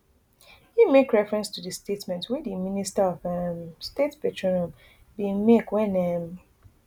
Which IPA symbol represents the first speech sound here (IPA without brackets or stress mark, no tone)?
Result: h